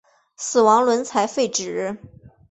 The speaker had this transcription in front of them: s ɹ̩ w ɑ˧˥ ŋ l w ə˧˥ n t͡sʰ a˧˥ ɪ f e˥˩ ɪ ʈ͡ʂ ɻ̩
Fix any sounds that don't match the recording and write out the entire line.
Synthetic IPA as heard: s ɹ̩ w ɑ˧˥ ŋ l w ə˧˥ n t͡sʰ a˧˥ ɪ f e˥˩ ɪ ʈ͡ʂ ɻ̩